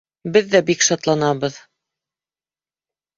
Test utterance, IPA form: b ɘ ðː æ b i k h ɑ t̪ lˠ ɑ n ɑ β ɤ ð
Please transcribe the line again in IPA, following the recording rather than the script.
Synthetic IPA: b ɘ ðː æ b i k ʃ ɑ t̪ lˠ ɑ n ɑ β ɤ ð